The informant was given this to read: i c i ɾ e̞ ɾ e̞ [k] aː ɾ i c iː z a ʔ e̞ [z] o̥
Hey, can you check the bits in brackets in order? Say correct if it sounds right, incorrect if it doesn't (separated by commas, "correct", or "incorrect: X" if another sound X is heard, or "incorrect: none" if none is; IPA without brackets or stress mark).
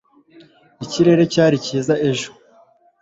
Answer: incorrect: c, incorrect: ʒ